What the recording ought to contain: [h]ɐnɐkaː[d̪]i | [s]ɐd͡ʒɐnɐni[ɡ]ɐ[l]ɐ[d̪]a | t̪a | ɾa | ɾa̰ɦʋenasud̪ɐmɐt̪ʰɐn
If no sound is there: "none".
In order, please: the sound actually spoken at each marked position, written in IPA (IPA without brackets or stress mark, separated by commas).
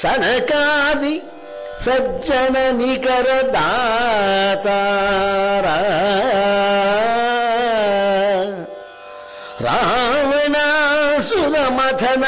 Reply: s, d̪, s, k, ɾ, d̪